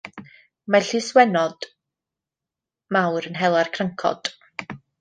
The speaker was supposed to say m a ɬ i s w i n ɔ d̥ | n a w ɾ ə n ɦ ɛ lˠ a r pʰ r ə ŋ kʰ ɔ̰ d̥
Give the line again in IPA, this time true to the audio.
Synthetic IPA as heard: m a ɬ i s w ɛ n ɔ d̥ | m a w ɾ ə n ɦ ɛ lˠ a r kʰ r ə ŋ kʰ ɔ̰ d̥